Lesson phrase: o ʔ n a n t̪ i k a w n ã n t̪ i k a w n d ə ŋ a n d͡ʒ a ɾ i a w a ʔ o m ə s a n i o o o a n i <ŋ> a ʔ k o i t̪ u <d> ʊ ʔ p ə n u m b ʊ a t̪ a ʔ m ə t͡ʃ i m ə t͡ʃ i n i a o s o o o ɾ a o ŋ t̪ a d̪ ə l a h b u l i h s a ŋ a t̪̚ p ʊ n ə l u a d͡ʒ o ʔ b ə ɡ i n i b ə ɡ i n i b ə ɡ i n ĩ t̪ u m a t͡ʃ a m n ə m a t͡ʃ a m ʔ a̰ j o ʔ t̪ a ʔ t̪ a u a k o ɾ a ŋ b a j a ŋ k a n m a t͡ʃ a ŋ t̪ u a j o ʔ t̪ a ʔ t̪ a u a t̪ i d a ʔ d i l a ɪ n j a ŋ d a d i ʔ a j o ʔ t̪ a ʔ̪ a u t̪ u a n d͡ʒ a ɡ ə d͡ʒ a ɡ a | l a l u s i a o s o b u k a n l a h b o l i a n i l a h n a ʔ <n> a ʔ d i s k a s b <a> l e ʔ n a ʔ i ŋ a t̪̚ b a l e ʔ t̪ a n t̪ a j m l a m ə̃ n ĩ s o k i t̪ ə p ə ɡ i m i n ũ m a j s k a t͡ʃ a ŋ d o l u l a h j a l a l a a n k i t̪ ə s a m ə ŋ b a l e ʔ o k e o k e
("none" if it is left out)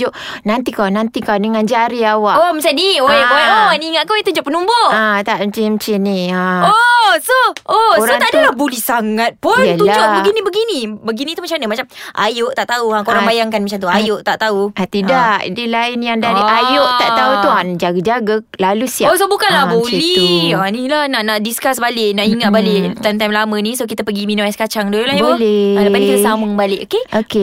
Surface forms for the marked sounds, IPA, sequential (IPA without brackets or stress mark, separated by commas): ŋ, d͡ʒ, n, a